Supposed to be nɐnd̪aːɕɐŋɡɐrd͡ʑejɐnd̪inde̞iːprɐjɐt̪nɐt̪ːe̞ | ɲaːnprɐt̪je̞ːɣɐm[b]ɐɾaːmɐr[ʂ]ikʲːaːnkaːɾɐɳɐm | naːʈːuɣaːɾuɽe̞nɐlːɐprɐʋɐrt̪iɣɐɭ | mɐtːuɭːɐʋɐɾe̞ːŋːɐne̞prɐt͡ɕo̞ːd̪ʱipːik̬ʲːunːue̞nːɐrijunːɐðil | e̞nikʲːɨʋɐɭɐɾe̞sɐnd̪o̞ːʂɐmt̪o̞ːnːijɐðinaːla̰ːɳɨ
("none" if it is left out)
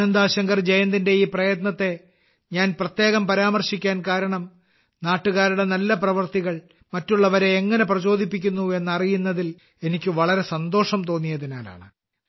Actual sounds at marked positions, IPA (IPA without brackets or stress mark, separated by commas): p, ɕ